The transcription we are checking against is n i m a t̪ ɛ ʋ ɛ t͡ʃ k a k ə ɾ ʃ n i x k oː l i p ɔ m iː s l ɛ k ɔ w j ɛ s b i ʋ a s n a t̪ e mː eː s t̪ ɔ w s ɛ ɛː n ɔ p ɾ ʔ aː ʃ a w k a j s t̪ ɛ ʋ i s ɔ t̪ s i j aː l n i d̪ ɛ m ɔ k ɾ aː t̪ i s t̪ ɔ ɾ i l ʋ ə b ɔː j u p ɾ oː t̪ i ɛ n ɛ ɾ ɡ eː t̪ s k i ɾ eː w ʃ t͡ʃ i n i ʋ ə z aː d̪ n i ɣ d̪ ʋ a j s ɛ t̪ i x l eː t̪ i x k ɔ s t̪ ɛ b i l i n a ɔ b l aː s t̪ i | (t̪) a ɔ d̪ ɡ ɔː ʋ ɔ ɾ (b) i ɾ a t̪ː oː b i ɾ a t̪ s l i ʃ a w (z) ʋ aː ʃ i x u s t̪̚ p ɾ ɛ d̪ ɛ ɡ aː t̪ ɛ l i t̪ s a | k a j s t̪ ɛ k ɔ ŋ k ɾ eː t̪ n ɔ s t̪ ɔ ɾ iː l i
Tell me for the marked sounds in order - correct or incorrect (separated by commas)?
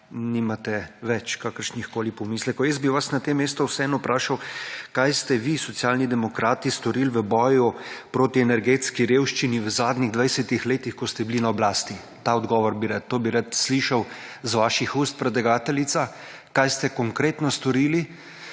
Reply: correct, correct, correct